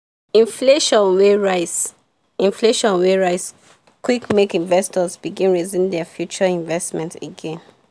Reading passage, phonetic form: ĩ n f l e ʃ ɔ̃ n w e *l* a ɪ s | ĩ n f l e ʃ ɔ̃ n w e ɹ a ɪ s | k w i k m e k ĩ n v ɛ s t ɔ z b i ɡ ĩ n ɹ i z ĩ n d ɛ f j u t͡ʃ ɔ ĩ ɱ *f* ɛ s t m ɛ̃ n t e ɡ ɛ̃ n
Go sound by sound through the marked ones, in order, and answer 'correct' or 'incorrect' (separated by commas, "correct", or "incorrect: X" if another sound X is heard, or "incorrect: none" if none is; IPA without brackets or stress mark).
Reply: incorrect: ɹ, incorrect: v